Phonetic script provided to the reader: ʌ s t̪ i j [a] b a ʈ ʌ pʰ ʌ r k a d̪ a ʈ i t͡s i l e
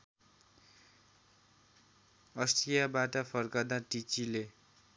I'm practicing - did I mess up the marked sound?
no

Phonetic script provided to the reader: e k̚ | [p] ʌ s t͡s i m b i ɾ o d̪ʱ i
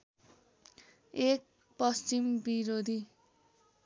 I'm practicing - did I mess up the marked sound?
no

